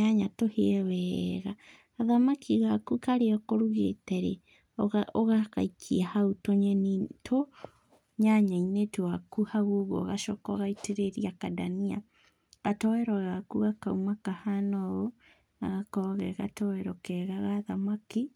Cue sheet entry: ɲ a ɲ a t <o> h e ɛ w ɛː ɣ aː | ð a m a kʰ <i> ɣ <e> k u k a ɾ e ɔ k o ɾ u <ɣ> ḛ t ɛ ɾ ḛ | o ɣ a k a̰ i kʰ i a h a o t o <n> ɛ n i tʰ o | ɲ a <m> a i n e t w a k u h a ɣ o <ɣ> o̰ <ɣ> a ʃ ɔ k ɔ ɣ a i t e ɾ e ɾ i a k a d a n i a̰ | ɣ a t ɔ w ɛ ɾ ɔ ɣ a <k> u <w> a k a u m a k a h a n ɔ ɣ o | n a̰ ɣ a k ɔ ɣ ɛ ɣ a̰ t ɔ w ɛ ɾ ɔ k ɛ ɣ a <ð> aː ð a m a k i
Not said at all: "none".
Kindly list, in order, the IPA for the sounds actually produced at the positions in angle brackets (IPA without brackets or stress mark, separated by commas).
o, i, a, ɣ, ɲ, ɲ, ɣ, ɣ, k, ɣ, ɣ